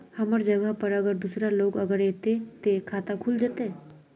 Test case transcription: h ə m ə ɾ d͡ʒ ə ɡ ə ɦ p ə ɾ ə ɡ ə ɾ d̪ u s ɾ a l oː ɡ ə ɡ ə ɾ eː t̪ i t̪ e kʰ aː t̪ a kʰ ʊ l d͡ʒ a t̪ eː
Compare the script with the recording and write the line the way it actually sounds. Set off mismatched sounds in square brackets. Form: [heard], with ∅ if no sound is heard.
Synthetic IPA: h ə m ə ɾ d͡ʒ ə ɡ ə ɦ p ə ɾ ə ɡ ə ɾ d̪ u s ɾ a l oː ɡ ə ɡ ə ɾ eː t̪ [e] t̪ e kʰ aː t̪ a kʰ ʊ l d͡ʒ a t̪ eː